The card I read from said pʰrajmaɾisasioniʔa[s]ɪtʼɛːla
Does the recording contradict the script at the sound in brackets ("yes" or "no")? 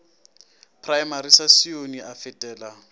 yes